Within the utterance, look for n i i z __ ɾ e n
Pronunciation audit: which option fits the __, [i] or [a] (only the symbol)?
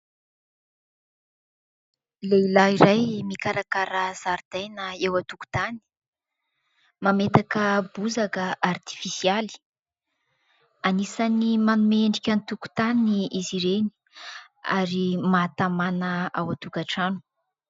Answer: i